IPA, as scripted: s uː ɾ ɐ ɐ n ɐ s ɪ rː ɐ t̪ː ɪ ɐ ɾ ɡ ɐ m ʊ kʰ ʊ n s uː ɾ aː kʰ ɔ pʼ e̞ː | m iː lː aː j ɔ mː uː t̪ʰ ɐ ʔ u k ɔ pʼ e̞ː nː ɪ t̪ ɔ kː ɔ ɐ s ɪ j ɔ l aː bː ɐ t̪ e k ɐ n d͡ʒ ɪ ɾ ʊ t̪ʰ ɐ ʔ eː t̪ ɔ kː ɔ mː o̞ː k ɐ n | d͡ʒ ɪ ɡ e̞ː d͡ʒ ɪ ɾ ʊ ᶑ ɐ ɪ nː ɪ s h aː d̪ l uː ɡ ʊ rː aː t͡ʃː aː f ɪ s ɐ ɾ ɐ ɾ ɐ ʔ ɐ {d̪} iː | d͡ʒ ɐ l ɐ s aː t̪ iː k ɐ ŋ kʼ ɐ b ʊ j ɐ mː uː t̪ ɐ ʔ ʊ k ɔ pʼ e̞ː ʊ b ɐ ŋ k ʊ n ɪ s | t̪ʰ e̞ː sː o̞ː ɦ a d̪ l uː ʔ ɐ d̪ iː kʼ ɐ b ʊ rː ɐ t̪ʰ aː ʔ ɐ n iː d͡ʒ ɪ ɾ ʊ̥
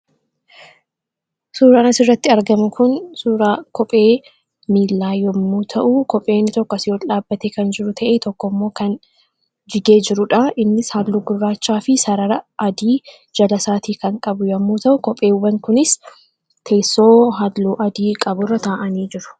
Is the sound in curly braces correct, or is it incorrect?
correct